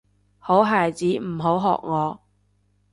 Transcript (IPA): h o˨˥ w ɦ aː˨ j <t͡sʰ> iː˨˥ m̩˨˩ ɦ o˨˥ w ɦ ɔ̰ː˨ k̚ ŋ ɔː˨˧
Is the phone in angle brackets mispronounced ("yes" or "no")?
yes